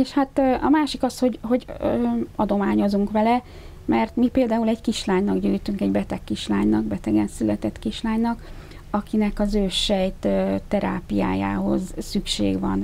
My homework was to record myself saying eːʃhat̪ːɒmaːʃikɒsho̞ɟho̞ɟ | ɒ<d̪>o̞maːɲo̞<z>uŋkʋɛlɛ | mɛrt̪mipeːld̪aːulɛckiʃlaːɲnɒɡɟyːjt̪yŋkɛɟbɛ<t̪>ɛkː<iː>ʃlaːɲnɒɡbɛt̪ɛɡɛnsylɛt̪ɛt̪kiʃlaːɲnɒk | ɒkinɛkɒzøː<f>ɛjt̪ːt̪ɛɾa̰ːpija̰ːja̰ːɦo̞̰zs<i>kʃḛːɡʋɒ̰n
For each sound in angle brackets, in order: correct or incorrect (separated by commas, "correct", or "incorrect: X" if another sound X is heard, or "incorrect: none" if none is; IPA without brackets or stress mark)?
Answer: correct, correct, correct, incorrect: i, incorrect: ʃ, incorrect: y